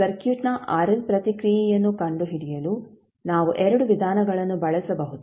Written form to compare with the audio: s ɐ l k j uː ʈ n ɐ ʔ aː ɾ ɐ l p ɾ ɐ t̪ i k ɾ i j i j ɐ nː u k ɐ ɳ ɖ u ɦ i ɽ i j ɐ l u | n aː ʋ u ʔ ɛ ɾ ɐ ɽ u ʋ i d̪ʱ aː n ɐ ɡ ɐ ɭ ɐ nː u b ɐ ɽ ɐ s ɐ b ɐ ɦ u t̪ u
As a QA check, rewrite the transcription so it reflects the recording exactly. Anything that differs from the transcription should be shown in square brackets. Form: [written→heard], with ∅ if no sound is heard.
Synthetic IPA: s ɐ [l→ɾ] k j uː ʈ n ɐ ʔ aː ɾ ɐ l p ɾ ɐ t̪ i k ɾ i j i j ɐ nː u k ɐ ɳ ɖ u ɦ i ɽ i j ɐ l u | n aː ʋ u ʔ ɛ ɾ ɐ ɽ u ʋ i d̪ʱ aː n ɐ ɡ ɐ ɭ ɐ nː u b ɐ [ɽ→ɭ] ɐ s ɐ b ɐ ɦ u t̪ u